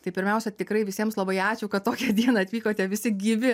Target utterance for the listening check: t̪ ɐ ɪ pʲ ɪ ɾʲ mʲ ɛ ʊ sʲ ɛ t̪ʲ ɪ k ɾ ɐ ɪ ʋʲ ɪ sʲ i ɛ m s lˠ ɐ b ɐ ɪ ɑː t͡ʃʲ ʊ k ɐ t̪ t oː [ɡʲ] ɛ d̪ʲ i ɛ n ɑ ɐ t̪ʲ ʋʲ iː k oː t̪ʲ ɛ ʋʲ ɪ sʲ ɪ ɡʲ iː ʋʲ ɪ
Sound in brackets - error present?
yes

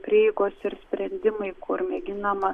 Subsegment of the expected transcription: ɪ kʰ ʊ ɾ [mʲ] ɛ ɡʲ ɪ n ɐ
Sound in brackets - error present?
no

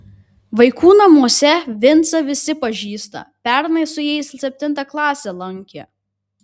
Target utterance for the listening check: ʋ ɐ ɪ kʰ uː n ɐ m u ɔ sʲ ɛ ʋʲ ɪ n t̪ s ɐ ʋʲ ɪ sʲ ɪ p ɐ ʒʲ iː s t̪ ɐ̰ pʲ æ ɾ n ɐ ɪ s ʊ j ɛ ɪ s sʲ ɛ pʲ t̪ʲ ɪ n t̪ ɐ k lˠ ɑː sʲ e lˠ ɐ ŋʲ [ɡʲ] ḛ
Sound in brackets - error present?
yes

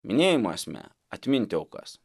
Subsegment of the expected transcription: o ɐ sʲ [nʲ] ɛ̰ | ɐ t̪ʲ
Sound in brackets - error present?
yes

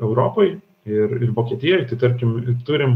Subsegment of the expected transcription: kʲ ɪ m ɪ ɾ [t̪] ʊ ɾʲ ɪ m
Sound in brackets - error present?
no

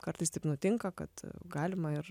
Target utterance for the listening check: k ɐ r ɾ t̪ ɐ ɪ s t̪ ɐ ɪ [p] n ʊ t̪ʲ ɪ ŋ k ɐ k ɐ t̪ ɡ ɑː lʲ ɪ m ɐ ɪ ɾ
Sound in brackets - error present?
no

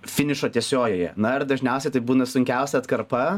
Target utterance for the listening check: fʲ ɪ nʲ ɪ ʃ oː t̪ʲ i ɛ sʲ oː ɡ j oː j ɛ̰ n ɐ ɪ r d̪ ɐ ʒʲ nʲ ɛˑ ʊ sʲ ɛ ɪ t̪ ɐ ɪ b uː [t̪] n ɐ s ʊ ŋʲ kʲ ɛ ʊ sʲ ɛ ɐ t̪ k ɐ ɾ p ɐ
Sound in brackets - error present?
yes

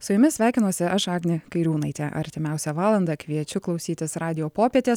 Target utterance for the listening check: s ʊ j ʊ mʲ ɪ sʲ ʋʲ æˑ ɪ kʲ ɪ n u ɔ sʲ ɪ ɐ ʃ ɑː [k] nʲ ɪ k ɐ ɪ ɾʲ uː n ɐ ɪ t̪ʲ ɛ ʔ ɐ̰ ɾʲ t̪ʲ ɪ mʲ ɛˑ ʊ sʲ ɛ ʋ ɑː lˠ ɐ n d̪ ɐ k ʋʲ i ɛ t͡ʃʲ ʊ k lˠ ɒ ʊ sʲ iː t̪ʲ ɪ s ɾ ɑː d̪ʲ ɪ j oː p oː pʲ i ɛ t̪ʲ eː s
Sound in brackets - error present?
yes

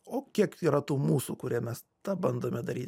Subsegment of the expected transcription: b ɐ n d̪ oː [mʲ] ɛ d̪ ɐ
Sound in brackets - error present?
no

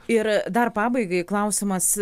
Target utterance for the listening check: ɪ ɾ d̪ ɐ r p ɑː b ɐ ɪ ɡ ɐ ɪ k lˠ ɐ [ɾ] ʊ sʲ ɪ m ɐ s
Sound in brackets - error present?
yes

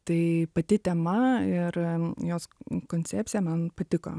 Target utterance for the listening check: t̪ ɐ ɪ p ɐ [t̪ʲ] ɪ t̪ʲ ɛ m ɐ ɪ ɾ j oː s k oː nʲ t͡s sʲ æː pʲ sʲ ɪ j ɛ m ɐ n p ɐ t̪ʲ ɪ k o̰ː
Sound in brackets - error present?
no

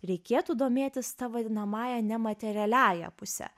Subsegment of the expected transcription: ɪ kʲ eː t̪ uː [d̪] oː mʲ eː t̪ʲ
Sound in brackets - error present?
no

